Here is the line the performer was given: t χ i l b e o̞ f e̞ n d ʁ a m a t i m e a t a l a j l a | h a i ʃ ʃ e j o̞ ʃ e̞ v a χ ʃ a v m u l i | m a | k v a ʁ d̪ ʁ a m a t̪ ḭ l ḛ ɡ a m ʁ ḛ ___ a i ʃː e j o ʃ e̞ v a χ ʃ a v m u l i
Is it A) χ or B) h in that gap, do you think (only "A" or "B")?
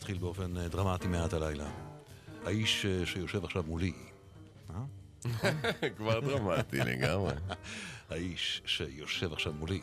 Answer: B